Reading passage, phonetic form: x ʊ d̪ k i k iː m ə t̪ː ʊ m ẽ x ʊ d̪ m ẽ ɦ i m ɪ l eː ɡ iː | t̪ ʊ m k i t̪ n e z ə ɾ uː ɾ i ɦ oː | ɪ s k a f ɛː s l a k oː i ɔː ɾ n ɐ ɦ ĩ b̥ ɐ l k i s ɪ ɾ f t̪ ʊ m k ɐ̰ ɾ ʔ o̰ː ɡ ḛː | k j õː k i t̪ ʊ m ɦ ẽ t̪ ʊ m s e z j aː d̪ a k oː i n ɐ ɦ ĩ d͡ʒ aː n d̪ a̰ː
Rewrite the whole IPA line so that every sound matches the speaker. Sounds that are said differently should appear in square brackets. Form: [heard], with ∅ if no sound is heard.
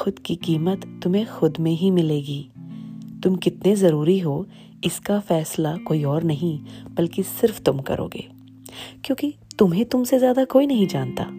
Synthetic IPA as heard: x ʊ d̪ k i k iː m ə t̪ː ʊ m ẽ x ʊ d̪ m ẽ ɦ i m ɪ l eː ɡ iː | t̪ ʊ m k [ɪ] t̪ n e z [ɐ] ɾ uː ɾ i ɦ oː | ɪ s k a f ɛː s l a k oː i ɔː ɾ n ɐ ɦ ĩ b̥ ɐ l k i s ɪ ɾ f t̪ ʊ m k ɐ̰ ɾ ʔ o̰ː ɡ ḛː | k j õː k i t̪ ʊ m ɦ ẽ t̪ ʊ m s e z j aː d̪ a k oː i n ɐ ɦ ĩ d͡ʒ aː n [t̪] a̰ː